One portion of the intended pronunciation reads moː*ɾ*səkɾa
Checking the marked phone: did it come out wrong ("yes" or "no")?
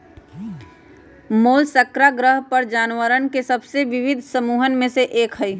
yes